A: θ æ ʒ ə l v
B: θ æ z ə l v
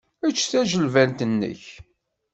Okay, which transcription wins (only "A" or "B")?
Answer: A